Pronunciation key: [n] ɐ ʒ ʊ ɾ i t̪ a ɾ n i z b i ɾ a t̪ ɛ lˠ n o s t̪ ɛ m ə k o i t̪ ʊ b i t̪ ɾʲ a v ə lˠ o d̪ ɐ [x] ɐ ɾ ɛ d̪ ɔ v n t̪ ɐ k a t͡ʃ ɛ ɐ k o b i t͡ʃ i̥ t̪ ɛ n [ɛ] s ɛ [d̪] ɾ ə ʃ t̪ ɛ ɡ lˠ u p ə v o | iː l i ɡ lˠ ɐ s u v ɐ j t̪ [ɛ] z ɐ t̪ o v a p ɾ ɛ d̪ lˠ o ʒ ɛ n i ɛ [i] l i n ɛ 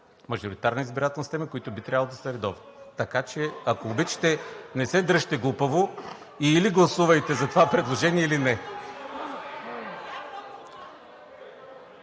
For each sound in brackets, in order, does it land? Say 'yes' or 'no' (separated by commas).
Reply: no, no, yes, yes, yes, yes